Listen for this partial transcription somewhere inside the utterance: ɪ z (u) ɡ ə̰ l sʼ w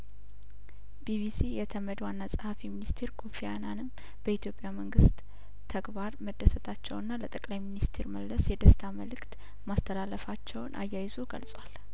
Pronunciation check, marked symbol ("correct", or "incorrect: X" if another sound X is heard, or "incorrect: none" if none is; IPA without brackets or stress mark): incorrect: o